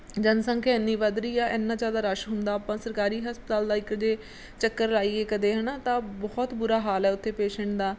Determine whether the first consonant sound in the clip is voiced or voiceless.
voiced